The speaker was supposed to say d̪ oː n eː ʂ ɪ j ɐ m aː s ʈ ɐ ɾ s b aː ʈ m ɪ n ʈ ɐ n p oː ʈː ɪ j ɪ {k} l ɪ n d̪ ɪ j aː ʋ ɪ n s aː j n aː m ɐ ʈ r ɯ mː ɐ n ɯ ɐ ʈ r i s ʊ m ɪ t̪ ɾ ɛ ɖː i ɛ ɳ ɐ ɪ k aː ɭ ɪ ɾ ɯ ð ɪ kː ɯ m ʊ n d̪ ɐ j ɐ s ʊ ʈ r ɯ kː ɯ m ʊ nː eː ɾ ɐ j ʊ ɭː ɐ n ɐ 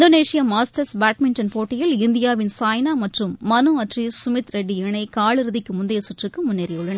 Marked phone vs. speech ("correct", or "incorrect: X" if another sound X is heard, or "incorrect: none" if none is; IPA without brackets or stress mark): incorrect: none